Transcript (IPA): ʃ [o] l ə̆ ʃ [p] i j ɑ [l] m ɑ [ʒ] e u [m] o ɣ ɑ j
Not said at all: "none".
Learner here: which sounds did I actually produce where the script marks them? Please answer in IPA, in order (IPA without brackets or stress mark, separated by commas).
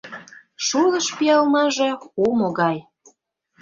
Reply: u, p, l, ʒ, m